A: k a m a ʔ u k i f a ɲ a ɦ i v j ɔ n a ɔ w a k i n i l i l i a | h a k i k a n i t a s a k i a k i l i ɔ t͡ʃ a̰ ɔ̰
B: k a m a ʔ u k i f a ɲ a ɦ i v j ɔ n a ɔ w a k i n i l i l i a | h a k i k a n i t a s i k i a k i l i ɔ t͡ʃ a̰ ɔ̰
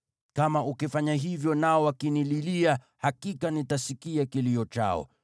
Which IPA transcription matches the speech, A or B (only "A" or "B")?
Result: B